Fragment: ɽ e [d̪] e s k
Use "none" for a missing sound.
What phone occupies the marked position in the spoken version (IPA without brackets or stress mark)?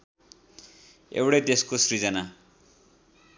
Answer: d̪